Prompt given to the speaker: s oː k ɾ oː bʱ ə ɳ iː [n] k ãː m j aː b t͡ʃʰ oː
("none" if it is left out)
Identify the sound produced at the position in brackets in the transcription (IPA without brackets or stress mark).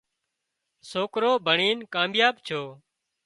n